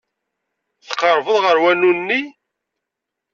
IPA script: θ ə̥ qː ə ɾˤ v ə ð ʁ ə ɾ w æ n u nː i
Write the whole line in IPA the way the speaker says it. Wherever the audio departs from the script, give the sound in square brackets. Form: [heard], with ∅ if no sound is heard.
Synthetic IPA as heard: θ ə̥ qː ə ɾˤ v ə ð ʁ ə ɾ w æ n u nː i